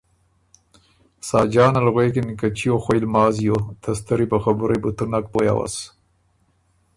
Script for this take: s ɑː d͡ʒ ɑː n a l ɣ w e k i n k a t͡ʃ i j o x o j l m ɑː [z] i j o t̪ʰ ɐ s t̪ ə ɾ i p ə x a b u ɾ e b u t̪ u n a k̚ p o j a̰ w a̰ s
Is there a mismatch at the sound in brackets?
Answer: no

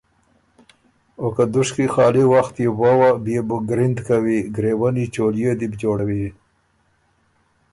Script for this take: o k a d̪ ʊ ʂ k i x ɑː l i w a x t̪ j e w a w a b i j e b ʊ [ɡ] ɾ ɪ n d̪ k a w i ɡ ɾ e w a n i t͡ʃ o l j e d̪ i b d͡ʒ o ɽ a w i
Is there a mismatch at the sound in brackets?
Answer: no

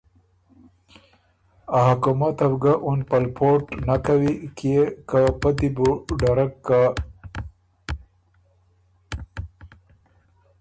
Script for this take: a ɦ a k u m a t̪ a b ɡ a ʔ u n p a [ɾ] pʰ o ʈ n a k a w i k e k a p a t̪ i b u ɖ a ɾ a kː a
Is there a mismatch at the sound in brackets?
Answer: yes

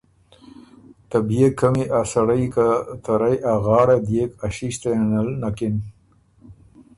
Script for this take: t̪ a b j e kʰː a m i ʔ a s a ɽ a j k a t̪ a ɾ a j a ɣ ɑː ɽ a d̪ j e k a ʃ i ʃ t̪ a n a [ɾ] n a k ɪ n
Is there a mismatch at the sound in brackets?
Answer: yes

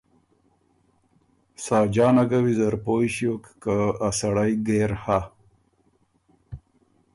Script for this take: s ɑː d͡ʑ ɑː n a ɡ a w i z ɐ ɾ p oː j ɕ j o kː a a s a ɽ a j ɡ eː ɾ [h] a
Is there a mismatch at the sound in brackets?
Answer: no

